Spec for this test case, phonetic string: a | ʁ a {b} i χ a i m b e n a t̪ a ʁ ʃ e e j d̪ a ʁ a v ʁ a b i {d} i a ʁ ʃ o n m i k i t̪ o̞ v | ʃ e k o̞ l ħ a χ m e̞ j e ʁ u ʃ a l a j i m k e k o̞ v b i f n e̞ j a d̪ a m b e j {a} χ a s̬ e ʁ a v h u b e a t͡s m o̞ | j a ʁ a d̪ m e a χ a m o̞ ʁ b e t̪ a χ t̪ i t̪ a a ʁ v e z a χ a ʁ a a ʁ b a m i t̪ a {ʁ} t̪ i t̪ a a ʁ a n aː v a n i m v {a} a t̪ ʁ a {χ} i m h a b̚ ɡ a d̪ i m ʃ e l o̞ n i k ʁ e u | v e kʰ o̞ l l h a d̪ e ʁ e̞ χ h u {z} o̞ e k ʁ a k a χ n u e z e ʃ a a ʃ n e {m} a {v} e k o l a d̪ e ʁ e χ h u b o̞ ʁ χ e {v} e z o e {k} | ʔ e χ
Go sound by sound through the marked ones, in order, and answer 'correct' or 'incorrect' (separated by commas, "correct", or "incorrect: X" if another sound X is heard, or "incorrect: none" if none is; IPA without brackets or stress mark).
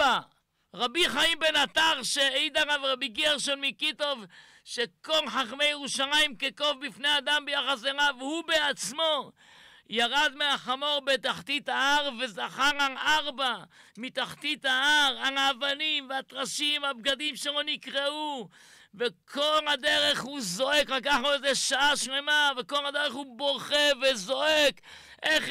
correct, incorrect: ɡ, correct, incorrect: χ, incorrect: e, incorrect: ʃ, correct, correct, correct, correct, correct